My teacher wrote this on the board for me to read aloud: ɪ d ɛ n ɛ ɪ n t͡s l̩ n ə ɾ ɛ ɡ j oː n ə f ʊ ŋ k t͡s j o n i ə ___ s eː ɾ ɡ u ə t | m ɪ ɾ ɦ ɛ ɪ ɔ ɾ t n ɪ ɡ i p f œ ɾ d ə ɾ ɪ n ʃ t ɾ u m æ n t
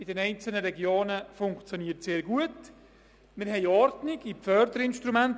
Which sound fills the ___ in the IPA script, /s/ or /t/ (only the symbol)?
t